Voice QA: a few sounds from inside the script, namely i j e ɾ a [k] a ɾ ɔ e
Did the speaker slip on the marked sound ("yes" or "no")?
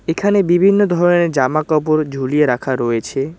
yes